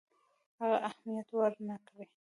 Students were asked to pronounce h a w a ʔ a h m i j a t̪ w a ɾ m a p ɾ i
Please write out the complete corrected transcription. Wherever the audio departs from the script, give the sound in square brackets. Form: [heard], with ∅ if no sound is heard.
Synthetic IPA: h a [ɣ] a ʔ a h m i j a t̪ w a ɾ [n] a [k] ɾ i